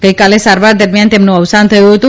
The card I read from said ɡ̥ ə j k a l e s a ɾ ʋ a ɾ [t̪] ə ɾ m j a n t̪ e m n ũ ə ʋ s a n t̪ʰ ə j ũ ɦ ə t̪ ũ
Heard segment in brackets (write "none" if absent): d̪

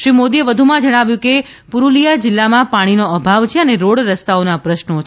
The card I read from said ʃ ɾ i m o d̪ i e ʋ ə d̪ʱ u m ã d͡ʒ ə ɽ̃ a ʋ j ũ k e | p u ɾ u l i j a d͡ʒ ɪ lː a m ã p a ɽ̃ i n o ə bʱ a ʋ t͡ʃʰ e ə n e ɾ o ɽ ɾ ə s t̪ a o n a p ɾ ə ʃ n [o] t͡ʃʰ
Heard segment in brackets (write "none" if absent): o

